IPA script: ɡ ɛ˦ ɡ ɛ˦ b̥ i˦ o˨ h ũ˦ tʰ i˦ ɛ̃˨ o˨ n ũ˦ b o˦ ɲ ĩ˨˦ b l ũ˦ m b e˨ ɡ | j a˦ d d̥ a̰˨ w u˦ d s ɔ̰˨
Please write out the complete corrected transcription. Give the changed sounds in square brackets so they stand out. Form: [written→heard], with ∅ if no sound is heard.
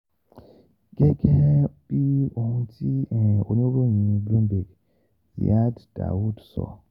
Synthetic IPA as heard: ɡ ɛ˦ ɡ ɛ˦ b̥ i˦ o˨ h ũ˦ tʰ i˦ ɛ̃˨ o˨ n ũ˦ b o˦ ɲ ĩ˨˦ b l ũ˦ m b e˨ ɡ | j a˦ d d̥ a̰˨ w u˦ d s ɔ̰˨

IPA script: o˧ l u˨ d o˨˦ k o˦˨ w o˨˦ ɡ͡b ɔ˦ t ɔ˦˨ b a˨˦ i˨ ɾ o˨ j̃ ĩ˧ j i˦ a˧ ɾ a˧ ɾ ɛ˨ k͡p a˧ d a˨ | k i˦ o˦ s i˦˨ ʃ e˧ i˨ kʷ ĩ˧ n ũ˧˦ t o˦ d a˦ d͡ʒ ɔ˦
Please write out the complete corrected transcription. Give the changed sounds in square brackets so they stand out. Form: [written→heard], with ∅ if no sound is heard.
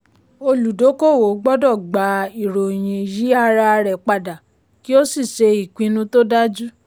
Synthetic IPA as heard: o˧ l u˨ d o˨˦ k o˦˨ w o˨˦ ɡ͡b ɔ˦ [t→d] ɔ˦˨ [b→ɡ͡b] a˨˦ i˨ ɾ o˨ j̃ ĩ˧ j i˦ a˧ ɾ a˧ ɾ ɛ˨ k͡p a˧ d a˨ | k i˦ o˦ s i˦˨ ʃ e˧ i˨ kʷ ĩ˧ n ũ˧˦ t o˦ d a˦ d͡ʒ [ɔ˦→u˦]

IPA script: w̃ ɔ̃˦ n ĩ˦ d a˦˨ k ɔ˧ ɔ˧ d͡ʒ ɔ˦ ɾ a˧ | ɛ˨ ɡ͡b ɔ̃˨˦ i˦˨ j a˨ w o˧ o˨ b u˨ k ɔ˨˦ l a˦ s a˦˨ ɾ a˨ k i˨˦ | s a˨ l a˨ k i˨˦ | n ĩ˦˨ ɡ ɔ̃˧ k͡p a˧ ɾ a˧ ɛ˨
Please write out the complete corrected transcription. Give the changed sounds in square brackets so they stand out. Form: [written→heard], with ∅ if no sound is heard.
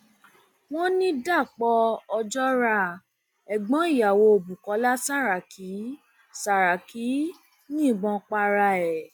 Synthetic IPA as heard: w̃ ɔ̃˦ n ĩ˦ d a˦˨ [k→k͡p] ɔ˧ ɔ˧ d͡ʒ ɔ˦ ɾ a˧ | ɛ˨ ɡ͡b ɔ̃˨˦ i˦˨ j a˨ w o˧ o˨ b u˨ k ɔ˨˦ l a˦ s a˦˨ ɾ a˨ k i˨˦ | s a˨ [l→ɾ] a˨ k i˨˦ | n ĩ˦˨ [ɡ→ɡ͡b] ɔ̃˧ k͡p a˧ ɾ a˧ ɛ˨

